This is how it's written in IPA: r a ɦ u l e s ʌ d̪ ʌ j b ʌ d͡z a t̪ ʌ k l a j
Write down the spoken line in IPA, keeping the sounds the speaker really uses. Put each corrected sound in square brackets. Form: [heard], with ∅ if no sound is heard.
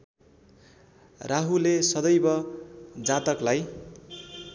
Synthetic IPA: r a ɦ u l e s ʌ d̪ ʌ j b ʌ d͡z a t̪ ʌ k l a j